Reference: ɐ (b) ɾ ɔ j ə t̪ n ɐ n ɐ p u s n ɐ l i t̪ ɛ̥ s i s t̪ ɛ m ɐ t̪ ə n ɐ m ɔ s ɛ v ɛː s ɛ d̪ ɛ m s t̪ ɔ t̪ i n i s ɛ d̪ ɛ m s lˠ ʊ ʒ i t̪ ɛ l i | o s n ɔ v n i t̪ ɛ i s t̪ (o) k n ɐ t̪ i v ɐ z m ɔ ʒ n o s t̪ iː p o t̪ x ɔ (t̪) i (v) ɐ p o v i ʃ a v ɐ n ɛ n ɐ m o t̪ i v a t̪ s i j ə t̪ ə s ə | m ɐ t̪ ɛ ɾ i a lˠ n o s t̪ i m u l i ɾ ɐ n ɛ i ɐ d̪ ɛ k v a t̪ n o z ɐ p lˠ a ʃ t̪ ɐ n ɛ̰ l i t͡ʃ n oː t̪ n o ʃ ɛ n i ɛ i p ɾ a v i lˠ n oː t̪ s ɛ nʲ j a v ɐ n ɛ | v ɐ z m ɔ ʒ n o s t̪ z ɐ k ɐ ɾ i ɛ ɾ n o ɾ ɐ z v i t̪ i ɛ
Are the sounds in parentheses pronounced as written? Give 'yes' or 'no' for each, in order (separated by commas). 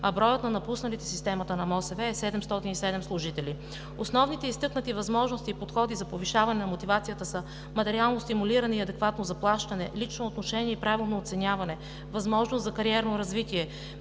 yes, no, no, no